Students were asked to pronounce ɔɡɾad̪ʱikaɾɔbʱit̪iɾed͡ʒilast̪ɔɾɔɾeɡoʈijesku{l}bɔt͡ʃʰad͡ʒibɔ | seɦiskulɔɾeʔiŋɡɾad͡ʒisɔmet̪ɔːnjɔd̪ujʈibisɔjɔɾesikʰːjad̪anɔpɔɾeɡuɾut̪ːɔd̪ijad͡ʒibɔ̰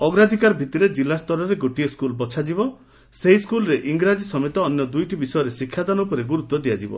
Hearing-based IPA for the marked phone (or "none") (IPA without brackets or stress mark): l